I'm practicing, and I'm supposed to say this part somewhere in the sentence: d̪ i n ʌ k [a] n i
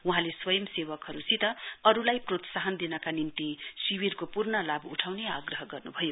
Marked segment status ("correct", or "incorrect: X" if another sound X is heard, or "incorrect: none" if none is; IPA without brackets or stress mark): correct